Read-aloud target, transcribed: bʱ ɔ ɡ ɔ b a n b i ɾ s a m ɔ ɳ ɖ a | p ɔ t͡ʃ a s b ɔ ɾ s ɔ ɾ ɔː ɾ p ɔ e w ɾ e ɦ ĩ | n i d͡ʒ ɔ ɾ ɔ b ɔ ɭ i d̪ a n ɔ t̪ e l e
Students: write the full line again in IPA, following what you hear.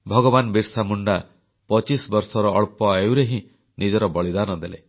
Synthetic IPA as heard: bʱ ɔ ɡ ɔ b a n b i ɾ s a m u ɳ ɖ a | p ɔ t͡ʃ i s b ɔ ɾ s ɔ ɾ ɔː ɭ p ɔ e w ɾ e ɦ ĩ | n i d͡ʒ ɔ ɾ ɔ b ɔ ɭ i d̪ a n ɔ d̪ e l e